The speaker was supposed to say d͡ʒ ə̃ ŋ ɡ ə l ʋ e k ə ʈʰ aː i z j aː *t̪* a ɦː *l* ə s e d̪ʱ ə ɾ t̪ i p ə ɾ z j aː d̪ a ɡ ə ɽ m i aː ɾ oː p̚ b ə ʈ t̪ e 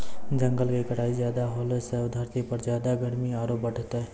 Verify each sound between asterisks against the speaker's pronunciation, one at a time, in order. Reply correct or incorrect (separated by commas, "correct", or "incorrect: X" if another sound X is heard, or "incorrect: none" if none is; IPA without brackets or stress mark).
incorrect: d̪, correct